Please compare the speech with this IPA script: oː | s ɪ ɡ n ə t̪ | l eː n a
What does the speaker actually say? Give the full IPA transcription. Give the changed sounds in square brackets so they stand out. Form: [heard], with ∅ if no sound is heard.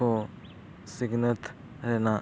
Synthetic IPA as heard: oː | s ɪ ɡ n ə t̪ | [ɾ] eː n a

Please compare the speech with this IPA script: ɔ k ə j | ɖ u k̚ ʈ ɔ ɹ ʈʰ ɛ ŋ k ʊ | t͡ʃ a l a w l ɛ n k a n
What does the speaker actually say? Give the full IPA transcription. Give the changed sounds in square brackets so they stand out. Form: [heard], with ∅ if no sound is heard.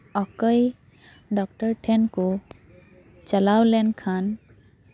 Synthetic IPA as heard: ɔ k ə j | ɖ [ɔ] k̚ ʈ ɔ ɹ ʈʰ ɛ [n] k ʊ | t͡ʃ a l a w l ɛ n [kʰ] a n

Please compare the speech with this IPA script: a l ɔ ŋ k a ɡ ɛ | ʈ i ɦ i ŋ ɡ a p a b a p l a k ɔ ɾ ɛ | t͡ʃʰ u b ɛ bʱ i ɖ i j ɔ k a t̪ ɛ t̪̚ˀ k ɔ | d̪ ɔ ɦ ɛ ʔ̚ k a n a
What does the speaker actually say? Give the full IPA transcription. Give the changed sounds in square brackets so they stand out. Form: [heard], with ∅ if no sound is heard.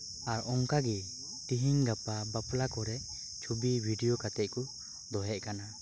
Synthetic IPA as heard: a [ɾ] ɔ ŋ k a ɡ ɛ | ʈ i ɦ i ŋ ɡ a p a b a p l a k ɔ ɾ ɛ | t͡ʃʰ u b [i] bʱ i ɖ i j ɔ k a t̪ ɛ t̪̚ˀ k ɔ | d̪ ɔ ɦ ɛ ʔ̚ k a n a

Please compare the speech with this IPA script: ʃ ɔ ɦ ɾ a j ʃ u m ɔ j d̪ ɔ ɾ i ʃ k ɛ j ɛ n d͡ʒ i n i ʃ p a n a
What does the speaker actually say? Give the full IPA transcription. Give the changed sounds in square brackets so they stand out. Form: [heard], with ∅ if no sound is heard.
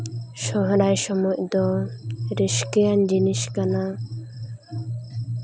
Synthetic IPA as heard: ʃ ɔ ɦ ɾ a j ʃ [ɔ] m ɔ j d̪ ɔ ɾ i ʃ k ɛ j [a] n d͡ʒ i n i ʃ [k] a n a

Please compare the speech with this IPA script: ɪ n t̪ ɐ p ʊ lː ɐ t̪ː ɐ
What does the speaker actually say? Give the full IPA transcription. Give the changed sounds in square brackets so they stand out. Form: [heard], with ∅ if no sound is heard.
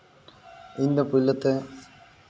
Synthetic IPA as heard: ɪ n [d̪] ɐ p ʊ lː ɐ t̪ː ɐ

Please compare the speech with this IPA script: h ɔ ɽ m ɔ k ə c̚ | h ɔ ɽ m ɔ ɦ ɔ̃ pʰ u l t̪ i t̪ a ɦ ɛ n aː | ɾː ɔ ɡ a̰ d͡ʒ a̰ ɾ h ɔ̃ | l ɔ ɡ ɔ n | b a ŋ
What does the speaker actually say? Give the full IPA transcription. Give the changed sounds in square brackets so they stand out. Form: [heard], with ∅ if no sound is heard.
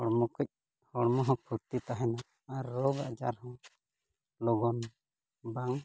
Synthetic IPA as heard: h ɔ ɽ m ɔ k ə c̚ | h ɔ ɽ m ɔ ɦ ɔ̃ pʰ u [ɾ] t̪ i t̪ a ɦ ɛ n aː | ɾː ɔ ɡ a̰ d͡ʒ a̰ ɾ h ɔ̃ | l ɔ ɡ ɔ n | b a ŋ

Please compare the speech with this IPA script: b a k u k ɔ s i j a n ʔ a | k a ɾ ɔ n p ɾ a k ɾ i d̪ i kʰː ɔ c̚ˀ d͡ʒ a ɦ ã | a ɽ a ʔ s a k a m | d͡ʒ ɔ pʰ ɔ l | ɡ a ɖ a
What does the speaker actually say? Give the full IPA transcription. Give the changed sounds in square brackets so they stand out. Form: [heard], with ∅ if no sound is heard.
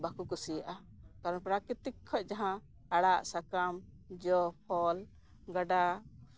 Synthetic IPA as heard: b a k u k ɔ s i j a [∅] ʔ a | k a ɾ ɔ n p ɾ a k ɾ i [t̪] i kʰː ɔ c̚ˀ d͡ʒ a ɦ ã | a ɽ a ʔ s a k a m | d͡ʒ ɔ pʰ ɔ l | ɡ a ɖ a

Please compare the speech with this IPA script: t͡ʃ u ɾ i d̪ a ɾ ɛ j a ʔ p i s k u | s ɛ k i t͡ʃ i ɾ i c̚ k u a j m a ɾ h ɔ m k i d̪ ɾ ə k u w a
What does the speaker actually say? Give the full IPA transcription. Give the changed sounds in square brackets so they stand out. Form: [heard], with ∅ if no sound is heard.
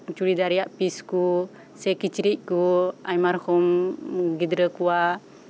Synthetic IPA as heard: t͡ʃ u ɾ i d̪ a ɾ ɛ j a ʔ p i s k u | s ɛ k i t͡ʃ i ɾ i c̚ k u a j m a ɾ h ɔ m [ɡ] i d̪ ɾ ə k u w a

